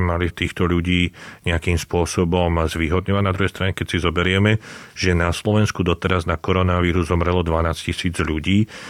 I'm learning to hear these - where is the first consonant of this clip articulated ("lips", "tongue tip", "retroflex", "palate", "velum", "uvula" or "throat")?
lips